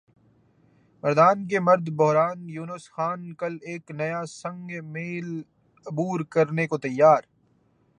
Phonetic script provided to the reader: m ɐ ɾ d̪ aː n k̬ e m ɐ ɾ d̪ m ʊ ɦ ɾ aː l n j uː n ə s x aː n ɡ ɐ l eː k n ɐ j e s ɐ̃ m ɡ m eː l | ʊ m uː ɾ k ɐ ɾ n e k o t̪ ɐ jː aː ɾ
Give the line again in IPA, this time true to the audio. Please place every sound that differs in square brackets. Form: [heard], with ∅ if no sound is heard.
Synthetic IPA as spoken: m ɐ ɾ d̪ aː n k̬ e m ɐ ɾ d̪ [b] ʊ ɦ ɾ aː [∅] n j uː n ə s x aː n [k] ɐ l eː k n ɐ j [a] s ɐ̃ [ŋ] ɡ m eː l | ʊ [b] uː ɾ k ɐ ɾ n e k o t̪ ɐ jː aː ɾ